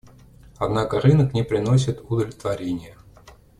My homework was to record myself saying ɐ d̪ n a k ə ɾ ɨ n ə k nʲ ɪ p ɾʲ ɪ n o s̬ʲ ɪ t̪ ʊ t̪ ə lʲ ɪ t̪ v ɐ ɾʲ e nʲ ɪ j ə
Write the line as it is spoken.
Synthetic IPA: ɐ d̪ n a k ə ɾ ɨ n ə k nʲ ɪ p ɾʲ ɪ n o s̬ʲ ɪ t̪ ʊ d̪ ə lʲ ɪ t̪ v ɐ ɾʲ e nʲ ɪ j ə